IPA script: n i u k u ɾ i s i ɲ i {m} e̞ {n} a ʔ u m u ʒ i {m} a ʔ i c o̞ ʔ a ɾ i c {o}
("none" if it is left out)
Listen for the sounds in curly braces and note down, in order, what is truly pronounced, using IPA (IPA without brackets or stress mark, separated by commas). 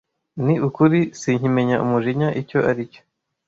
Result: m, ɲ, ɲ, o